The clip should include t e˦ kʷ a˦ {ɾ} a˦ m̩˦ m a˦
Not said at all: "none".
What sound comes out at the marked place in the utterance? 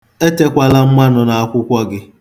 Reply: l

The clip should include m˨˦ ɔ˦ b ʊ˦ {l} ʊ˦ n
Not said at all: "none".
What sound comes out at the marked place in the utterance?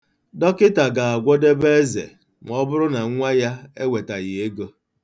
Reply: ɾ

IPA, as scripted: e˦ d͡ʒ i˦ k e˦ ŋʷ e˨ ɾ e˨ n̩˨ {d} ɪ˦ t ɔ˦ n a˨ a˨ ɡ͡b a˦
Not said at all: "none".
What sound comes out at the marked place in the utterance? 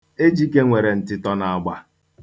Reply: t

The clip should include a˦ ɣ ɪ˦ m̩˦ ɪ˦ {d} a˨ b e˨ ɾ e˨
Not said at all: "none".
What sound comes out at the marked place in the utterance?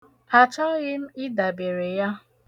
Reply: d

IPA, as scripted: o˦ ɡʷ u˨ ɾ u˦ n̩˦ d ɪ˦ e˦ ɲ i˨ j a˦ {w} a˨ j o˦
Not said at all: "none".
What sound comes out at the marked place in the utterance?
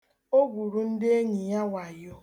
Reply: w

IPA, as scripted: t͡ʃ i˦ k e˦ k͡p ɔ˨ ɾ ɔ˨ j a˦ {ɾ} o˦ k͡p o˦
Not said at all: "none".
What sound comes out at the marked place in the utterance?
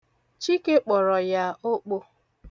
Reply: none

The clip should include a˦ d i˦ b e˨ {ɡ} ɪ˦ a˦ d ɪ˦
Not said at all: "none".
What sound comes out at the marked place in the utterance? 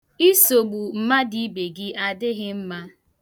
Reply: ɡ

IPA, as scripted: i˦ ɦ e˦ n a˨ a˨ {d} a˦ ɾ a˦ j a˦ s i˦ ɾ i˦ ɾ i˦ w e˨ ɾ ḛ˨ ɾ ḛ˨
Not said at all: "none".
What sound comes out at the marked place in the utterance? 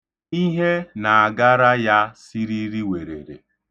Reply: ɡ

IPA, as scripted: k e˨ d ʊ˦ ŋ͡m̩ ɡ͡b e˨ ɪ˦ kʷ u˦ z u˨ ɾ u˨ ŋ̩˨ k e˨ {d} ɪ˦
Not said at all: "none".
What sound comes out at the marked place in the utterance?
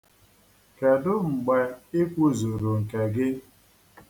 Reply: ɡ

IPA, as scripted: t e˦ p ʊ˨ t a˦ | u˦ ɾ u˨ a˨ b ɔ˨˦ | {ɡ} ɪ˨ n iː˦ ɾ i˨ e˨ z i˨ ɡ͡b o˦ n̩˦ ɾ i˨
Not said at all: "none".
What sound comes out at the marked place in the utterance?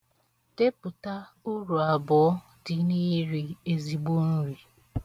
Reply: d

